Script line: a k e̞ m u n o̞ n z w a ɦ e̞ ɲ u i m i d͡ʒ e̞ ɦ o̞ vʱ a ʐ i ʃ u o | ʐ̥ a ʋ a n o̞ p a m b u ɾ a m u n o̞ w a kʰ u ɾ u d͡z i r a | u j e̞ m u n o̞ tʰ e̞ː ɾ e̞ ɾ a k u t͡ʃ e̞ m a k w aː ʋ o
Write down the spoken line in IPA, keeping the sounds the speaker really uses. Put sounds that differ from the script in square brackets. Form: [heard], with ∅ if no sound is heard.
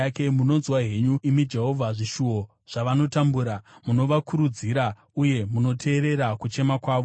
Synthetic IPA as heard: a k e̞ m u n o̞ n z w a ɦ e̞ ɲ u i m i d͡ʒ e̞ ɦ o̞ vʱ a ʐ i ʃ u o | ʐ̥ a ʋ a n o̞ [t] a m b u ɾ a m u n o̞ [ʋ] a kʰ u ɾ u d͡z i [ɾ] a | u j e̞ m u n o̞ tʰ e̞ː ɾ e̞ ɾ a k u t͡ʃ e̞ m a k w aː ʋ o

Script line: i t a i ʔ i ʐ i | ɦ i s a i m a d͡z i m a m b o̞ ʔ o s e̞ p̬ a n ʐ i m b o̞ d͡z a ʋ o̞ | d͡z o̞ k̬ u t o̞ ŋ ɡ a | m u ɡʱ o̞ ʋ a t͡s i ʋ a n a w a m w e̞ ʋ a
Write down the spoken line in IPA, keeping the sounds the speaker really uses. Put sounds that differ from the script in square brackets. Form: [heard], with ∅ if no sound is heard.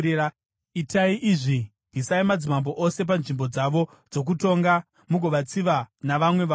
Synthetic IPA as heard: i t a i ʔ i ʐ i | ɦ i s a i m a d͡z i m a m b o̞ ʔ o s e̞ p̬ a n ʐ i m b o̞ d͡z a ʋ o̞ | d͡z o̞ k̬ u t o̞ ŋ ɡ a | m u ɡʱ o̞ ʋ a t͡s i ʋ a n a [ʋ] a m w e̞ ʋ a

